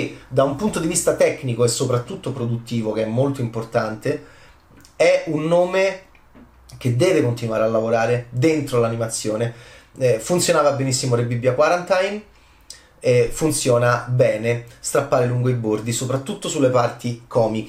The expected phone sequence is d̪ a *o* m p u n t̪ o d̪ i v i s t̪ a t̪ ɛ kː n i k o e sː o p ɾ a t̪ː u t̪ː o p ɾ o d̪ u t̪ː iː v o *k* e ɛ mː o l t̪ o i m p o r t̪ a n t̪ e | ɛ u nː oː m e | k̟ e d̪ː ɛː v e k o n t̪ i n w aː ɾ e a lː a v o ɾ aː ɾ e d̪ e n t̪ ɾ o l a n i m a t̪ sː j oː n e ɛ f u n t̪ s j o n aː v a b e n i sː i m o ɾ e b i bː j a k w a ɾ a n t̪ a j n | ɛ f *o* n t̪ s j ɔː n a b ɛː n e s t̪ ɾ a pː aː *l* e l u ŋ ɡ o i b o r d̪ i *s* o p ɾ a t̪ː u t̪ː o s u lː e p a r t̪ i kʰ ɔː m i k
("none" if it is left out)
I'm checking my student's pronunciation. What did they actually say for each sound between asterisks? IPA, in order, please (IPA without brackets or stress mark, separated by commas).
u, k, u, ɾ, s